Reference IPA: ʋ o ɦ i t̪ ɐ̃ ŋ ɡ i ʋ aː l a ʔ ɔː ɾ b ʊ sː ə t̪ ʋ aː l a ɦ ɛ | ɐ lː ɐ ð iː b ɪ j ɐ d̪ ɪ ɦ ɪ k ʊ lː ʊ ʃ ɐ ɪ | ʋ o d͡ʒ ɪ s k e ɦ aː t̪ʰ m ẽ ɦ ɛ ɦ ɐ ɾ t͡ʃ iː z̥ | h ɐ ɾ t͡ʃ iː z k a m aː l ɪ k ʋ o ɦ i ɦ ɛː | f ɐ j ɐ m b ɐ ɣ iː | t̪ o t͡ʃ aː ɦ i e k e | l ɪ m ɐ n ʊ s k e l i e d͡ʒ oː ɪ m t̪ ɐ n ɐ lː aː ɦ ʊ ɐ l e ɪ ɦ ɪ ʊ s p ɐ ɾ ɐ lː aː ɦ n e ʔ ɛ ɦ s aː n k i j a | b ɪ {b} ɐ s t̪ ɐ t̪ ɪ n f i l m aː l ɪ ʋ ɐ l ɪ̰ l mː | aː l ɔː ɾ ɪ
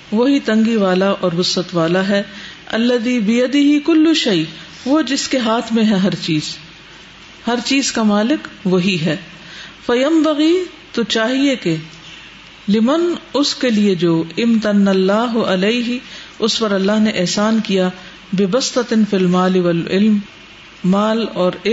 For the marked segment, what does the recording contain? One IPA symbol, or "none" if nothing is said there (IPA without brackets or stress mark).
b